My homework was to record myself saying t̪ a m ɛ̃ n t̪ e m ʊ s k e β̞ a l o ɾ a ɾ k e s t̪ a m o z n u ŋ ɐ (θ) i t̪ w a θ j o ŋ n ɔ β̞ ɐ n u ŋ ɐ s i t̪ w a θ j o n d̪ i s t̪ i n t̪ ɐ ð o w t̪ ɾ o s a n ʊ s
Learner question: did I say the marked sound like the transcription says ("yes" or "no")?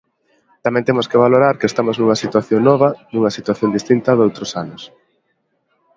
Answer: no